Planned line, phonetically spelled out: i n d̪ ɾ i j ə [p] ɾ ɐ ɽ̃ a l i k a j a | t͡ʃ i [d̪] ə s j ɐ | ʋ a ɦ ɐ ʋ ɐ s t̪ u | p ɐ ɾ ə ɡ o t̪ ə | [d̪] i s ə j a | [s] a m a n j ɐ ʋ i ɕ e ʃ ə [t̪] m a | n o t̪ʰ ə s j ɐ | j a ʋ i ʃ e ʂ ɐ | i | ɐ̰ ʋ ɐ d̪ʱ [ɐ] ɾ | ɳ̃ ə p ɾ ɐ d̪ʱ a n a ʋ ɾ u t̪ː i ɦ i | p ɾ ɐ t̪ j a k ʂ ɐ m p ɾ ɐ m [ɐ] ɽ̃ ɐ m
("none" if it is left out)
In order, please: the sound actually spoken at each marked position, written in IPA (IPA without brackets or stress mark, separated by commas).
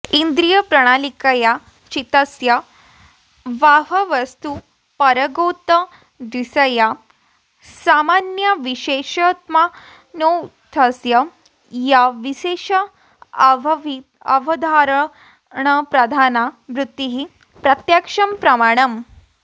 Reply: p, t̪, d̪, s, t̪, a, a